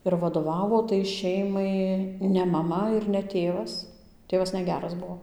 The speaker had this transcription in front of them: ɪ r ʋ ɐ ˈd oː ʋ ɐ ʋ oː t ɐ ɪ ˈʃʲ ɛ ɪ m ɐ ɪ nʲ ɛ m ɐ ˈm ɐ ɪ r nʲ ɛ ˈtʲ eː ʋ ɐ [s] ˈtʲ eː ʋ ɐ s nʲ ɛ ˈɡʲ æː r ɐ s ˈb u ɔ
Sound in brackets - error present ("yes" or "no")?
no